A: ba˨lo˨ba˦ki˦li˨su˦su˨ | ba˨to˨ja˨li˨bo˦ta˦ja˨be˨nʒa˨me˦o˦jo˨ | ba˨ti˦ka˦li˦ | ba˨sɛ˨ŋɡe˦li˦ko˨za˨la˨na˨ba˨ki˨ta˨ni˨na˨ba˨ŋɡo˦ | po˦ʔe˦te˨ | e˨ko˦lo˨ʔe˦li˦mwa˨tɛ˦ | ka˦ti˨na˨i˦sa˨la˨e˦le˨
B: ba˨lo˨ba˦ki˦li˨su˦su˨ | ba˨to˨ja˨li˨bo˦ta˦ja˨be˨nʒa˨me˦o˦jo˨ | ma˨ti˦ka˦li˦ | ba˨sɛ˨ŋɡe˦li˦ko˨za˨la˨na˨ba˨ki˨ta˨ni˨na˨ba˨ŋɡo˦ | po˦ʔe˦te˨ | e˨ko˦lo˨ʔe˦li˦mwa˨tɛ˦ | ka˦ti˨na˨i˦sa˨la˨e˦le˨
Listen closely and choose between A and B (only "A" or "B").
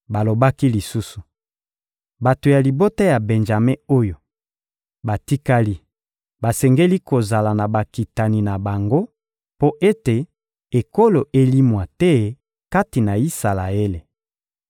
A